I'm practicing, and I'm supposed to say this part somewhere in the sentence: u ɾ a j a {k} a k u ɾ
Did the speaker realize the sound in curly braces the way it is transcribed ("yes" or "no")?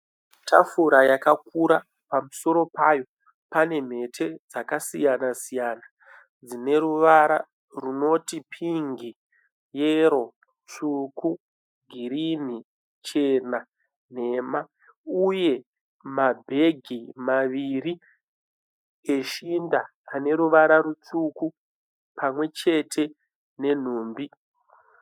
yes